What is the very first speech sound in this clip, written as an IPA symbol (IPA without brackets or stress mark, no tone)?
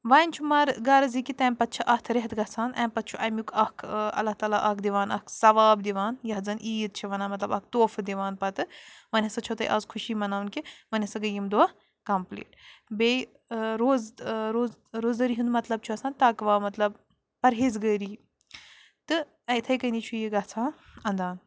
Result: ʋ